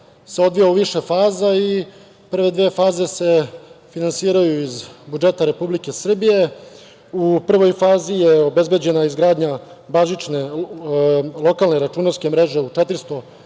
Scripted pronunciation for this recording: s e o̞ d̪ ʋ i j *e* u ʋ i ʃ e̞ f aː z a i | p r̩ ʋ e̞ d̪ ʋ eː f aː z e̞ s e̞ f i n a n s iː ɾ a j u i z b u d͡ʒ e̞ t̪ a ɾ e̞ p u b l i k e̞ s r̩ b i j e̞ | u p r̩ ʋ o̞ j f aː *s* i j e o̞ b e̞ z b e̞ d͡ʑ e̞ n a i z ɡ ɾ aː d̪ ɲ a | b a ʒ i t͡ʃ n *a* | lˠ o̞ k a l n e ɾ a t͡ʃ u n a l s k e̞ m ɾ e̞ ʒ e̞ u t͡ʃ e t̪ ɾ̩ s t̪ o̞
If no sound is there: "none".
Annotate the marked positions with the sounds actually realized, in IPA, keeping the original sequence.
a, z, e

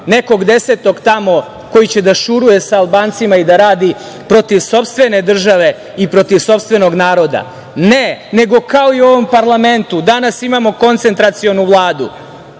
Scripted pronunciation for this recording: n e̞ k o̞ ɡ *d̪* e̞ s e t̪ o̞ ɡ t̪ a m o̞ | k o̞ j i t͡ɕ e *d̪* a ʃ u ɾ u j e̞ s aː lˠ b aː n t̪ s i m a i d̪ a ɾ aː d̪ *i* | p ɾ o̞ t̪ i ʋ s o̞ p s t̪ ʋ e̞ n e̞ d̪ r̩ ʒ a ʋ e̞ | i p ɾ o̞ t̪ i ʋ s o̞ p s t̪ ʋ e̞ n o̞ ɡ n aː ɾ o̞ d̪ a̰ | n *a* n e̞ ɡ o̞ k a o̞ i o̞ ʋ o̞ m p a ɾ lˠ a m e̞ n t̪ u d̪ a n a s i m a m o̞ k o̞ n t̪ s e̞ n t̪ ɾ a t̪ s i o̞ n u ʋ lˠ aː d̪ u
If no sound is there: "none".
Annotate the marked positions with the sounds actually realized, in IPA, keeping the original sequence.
d̪, d̪, i, e

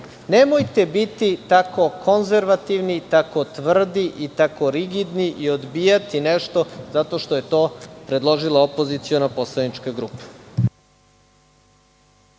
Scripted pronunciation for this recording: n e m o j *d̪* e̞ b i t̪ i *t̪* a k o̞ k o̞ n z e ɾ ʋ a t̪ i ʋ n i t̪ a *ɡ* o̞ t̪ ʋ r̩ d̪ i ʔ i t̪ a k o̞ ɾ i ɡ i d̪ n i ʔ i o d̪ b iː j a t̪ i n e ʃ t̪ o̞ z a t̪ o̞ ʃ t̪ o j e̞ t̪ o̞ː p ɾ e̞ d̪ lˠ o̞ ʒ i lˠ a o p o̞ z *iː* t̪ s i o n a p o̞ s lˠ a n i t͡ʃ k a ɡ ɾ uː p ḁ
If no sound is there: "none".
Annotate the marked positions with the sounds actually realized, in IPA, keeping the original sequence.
t̪, t̪, k, i

